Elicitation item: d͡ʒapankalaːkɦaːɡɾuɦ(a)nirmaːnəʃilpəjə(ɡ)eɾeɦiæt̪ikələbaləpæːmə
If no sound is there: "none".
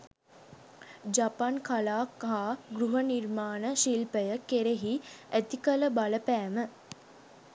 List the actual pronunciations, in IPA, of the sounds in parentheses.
ə, k

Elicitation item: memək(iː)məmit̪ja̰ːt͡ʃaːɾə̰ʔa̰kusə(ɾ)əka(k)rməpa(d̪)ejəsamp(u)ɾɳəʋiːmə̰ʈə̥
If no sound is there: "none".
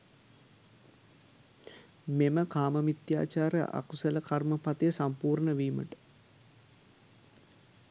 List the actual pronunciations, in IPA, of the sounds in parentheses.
aː, l, none, t̪, uː

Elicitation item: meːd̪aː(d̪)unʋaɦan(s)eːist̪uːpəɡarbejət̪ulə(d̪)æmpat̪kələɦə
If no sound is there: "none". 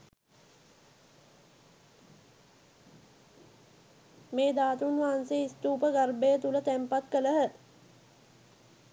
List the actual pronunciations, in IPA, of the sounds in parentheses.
t̪, s, t̪

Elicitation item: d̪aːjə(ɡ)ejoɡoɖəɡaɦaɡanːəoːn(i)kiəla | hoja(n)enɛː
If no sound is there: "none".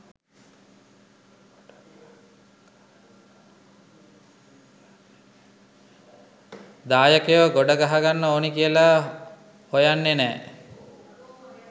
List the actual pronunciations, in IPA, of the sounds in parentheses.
k, i, nː

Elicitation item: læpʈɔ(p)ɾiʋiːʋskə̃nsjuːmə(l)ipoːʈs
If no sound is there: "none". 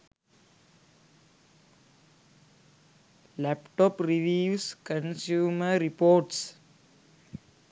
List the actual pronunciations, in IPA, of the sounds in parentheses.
p, ɾ

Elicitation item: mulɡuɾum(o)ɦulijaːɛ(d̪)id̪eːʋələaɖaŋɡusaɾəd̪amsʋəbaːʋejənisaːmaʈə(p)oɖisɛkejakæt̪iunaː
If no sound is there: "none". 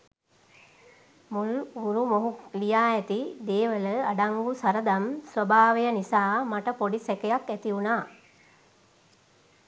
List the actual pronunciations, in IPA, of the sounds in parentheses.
o, t̪, p

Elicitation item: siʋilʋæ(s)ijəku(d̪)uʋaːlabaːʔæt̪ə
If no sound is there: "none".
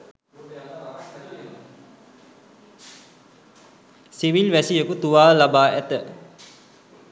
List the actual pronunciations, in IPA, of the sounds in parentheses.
s, t̪

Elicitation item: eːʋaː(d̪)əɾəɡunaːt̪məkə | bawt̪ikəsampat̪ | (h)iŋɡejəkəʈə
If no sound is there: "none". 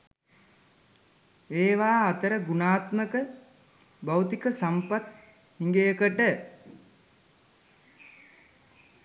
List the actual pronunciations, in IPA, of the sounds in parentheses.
t̪, h

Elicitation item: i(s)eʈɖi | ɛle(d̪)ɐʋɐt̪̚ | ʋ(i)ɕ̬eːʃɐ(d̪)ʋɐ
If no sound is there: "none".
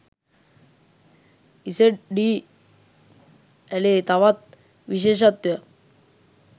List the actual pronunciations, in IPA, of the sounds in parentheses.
s, t̪, i, t̪

